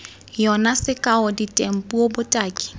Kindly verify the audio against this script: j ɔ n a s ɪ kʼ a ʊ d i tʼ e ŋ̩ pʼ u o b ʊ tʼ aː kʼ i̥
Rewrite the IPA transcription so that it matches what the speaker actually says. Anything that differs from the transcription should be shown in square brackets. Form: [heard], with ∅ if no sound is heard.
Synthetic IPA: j ɔ n a s ɪ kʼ a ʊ d i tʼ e [m̩] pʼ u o b ʊ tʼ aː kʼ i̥